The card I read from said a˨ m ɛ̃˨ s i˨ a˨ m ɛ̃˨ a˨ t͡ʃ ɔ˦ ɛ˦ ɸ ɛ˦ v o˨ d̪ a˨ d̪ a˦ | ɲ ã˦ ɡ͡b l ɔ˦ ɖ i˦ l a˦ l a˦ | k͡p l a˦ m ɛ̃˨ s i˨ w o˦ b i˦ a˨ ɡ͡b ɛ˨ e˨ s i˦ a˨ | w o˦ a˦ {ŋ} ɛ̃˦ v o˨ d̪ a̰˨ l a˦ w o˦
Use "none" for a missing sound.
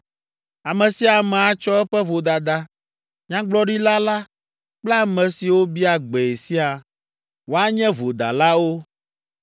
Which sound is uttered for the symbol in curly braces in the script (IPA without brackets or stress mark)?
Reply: ɲ